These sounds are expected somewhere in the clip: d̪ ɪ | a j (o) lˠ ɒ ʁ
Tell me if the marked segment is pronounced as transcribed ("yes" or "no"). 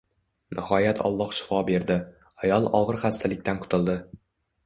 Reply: no